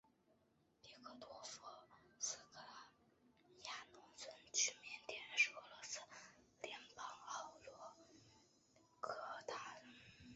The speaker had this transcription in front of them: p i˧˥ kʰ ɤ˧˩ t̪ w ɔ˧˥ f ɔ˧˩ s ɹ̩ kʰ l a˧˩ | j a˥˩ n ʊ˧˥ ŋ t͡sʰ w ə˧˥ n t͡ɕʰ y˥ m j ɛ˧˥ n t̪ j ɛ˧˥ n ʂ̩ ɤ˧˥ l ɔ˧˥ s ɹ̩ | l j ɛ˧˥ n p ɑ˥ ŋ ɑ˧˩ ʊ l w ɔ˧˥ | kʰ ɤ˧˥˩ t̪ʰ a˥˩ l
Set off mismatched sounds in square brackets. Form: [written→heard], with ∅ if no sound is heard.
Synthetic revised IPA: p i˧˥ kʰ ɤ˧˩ t̪ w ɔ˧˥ f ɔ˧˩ s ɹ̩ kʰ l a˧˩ | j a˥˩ n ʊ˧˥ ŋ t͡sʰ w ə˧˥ n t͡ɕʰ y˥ m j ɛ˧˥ n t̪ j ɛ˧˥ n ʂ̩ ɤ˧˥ l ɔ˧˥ s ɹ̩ | l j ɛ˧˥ n p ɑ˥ ŋ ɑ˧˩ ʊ l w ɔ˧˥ | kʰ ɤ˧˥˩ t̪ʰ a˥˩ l